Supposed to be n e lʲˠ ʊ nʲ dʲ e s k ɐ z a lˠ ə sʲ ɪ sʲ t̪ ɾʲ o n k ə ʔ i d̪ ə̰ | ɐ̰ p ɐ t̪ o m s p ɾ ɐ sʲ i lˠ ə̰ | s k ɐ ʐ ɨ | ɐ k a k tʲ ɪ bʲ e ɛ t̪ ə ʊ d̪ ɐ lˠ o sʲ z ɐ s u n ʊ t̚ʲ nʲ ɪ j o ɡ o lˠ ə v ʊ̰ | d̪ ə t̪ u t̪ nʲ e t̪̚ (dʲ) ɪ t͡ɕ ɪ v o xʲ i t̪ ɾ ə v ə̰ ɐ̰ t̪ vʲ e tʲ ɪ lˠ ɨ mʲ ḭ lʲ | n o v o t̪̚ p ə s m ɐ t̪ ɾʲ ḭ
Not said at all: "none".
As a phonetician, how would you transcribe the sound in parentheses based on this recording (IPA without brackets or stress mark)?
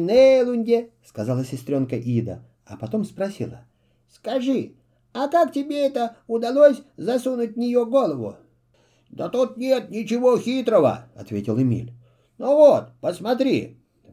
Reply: nʲ